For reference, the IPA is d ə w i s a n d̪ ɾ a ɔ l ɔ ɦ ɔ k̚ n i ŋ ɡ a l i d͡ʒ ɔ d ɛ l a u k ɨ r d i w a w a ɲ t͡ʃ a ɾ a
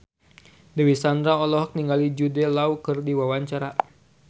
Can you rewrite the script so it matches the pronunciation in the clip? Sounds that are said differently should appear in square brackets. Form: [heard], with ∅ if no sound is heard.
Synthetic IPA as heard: d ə w i s a n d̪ ɾ a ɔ l ɔ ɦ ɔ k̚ n i ŋ ɡ a l i d͡ʒ [u] d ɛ l a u k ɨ r d i w a w a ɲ t͡ʃ a ɾ a